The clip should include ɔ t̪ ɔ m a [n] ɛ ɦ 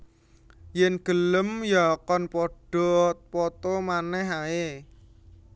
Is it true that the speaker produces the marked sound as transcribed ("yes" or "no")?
yes